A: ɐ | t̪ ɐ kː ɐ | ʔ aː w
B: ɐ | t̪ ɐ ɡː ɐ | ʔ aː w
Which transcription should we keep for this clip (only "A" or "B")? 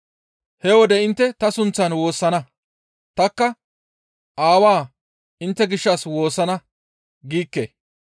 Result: A